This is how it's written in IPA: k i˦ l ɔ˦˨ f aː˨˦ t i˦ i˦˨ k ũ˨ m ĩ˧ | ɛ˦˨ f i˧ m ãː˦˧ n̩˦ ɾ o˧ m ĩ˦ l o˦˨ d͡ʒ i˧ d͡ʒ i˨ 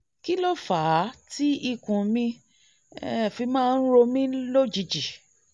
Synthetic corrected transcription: k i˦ l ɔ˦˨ f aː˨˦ t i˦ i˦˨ k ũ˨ m ĩ˧ | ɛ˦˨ f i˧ m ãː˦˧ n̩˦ ɾ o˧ m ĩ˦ l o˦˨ d͡ʒ i˧ d͡ʒ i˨